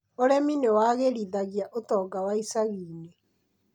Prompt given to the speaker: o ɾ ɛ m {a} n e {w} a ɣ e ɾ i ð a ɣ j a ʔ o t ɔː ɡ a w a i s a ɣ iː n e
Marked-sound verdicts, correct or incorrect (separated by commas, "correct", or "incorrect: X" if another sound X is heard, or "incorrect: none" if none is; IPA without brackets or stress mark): incorrect: i, correct